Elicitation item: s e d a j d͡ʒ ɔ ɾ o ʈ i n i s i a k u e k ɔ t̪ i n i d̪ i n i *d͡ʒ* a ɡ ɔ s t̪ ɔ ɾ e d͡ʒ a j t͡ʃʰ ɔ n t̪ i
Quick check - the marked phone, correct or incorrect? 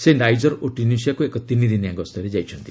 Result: incorrect